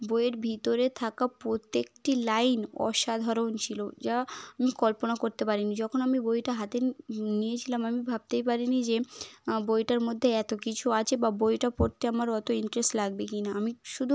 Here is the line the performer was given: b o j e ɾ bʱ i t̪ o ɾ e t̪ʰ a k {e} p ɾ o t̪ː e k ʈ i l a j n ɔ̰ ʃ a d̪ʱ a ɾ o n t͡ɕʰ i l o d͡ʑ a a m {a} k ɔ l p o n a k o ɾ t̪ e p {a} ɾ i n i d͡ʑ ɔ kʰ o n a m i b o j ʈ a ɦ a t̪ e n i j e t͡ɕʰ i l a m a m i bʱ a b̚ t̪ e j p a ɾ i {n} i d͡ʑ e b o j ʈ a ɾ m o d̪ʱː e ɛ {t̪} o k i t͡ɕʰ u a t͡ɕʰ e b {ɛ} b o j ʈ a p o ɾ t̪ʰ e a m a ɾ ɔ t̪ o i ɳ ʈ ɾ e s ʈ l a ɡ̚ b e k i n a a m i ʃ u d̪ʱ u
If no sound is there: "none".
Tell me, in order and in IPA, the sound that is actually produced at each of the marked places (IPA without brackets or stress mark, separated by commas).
a, i, a, n, t̪, a